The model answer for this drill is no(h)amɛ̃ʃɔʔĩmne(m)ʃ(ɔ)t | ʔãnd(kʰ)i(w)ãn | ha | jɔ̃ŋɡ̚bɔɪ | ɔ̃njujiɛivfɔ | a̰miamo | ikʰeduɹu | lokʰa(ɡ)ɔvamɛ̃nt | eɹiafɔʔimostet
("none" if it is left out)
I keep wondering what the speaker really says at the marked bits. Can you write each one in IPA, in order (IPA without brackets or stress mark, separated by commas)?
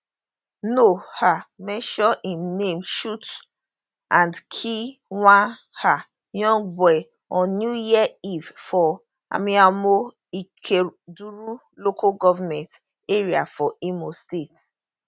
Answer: h, m, u, kʰ, w, ɡ